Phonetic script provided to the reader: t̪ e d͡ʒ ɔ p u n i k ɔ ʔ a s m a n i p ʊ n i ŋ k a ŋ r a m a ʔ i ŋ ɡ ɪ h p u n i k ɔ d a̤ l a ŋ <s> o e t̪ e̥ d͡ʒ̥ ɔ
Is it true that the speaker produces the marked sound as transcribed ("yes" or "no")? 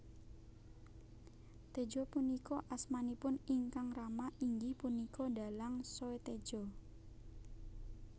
yes